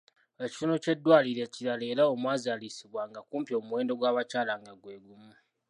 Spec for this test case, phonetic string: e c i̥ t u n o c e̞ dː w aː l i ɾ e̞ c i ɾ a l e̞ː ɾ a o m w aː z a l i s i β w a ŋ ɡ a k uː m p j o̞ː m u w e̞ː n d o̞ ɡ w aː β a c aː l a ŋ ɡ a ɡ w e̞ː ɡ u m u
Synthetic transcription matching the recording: e c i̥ t u n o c e̞ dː w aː l i ɾ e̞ c i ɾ a l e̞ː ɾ a o m w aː z a l i s i β w a ŋ ɡ a k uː m p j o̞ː m u w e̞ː n d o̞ ɡ w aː β a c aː l a ŋ ɡ a ɡ w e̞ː ɡ u m u

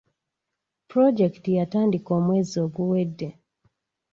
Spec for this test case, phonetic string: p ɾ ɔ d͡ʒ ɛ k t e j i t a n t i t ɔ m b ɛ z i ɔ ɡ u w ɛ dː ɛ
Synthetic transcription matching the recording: p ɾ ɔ d͡ʒ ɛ k t i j a t a n d i k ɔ m w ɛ z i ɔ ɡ u w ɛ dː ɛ

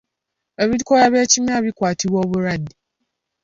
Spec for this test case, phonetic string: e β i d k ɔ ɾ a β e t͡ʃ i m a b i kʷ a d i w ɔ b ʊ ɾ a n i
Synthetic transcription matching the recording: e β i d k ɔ ɾ a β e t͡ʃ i m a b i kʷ a t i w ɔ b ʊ ɾ a d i

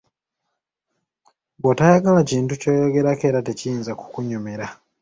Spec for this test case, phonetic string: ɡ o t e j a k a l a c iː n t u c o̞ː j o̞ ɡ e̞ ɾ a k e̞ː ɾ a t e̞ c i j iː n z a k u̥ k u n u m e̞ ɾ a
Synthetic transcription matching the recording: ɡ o t a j a ɡ a l a c iː n t u c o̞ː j o̞ ɡ e̞ ɾ a k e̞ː ɾ a t e̞ c i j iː n z a k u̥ k u ɲ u m e̞ ɾ a

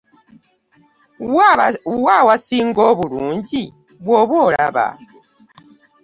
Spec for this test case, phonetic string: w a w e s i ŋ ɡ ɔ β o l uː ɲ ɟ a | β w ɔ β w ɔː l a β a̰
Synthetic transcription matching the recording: w a w a s i ŋ ɡ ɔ β u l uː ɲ ɟ i | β w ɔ β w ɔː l a β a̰

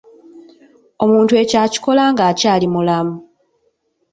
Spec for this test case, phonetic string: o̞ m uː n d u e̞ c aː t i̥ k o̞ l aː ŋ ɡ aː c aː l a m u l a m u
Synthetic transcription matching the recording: o̞ m uː n t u e̞ c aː c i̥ k o̞ l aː ŋ ɡ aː c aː l i m u l a m u

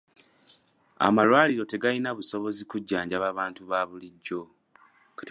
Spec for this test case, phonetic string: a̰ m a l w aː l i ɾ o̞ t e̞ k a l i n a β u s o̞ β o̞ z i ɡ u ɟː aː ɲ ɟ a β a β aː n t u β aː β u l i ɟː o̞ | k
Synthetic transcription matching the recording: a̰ m a l w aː l i ɾ o̞ t e̞ ɡ a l i n a β u s o̞ β o̞ z i k u ɟː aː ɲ ɟ a β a β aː n t u β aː β u l i ɟː o̞ | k

